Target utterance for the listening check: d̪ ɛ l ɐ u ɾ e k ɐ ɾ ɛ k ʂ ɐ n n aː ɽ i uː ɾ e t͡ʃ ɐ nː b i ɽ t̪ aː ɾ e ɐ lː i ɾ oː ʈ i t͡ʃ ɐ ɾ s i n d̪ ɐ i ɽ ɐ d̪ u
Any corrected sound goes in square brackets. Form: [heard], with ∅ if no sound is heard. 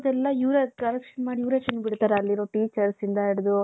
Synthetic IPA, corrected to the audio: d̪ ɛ [lː] ɐ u ɾ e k ɐ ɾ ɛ k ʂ ɐ n [m] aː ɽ i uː ɾ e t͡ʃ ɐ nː b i ɽ t̪ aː ɾ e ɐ lː i ɾ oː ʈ [iː] t͡ʃ ɐ ɾ s i n d̪ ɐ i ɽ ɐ d̪ u